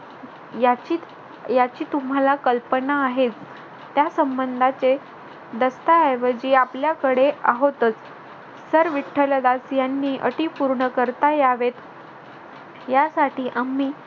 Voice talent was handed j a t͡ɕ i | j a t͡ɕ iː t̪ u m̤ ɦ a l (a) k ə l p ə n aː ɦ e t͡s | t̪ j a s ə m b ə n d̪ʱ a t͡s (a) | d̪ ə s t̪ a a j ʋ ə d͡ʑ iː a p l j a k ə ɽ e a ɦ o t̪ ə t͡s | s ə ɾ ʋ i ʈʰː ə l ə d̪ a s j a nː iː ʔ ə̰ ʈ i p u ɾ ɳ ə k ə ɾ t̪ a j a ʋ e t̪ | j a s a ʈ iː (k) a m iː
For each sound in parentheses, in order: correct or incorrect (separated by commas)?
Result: correct, incorrect, incorrect